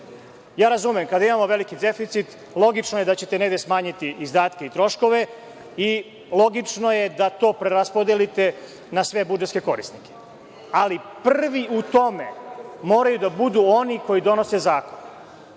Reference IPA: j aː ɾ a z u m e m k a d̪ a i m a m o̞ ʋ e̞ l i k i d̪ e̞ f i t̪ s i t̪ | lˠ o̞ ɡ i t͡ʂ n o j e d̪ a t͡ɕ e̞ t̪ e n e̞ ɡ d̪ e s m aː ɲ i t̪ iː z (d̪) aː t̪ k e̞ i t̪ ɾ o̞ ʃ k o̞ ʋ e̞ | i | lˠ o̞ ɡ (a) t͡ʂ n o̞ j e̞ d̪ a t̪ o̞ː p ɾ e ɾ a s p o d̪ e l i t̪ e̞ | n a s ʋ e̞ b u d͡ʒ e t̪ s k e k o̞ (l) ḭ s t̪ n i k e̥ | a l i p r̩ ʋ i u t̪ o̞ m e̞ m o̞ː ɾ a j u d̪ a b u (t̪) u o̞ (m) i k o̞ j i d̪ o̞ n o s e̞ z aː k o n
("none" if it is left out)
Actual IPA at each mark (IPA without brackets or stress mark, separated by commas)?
d̪, i, ɾ, d̪, n